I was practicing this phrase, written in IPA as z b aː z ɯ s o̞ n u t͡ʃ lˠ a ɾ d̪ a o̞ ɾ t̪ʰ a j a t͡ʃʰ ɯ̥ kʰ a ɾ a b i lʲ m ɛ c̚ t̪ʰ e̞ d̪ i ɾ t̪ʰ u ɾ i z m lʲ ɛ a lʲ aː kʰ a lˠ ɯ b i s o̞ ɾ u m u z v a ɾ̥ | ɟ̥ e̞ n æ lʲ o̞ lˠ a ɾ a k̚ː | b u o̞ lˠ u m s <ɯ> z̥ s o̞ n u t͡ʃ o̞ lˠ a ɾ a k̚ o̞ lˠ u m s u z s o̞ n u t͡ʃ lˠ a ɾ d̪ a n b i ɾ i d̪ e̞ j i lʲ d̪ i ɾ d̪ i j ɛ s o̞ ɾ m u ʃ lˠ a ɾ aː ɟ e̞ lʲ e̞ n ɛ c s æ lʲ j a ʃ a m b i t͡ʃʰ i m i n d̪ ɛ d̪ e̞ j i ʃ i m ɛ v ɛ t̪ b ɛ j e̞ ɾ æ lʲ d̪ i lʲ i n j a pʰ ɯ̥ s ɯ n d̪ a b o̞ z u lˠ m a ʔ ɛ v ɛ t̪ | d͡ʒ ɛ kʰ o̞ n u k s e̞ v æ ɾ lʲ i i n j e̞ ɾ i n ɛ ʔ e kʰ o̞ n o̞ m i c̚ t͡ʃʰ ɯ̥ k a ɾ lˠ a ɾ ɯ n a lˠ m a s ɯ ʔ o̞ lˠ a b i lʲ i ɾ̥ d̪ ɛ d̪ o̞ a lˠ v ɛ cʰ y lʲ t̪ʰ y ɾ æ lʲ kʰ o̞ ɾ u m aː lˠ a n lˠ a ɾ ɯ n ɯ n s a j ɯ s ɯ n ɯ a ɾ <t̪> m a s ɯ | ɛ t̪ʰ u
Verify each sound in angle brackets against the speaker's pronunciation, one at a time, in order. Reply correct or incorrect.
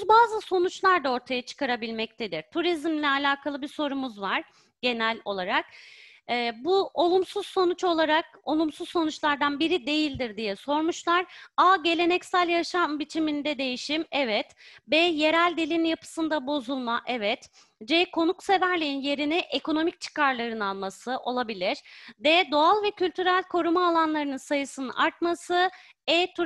incorrect, correct

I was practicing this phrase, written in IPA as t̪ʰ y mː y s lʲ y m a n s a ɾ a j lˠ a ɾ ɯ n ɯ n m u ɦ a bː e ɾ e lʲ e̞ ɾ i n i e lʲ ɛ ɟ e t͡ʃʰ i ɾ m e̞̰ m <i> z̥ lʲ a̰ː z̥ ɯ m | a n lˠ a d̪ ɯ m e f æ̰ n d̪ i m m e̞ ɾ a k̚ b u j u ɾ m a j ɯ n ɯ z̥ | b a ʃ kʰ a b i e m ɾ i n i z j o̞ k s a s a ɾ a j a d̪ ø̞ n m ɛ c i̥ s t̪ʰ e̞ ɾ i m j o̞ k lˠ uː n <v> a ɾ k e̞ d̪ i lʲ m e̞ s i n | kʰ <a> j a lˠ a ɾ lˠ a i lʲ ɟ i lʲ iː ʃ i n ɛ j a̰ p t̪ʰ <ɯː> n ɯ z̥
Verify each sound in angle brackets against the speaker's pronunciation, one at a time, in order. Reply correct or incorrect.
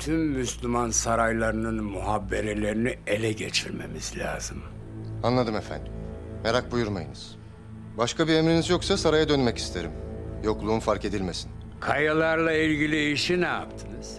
correct, incorrect, correct, incorrect

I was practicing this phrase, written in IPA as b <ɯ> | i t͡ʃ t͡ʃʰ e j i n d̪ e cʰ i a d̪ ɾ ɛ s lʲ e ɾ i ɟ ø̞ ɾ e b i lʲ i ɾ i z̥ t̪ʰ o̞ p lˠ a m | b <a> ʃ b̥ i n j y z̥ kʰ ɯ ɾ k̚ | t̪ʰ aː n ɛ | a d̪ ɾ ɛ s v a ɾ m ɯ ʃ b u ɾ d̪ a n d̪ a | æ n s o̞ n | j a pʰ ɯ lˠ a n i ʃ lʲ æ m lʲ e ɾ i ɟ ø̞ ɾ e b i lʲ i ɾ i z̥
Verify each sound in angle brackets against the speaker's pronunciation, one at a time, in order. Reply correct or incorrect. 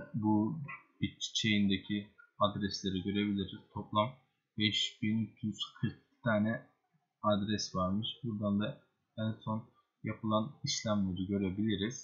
incorrect, incorrect

